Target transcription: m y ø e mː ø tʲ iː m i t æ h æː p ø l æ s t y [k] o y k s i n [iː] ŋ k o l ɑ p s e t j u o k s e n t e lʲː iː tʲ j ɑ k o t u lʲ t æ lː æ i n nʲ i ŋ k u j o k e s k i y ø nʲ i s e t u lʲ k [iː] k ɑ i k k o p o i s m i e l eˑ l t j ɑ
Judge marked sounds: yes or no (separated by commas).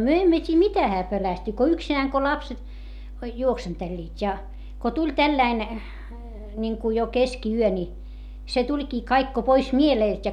yes, no, yes